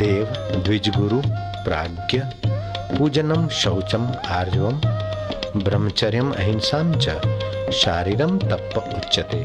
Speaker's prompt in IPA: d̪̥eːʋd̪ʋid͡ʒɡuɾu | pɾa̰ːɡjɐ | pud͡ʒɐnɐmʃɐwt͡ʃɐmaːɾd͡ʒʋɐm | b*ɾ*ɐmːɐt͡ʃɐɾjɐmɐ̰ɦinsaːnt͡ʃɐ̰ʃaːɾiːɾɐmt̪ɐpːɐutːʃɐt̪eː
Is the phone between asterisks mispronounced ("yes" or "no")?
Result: no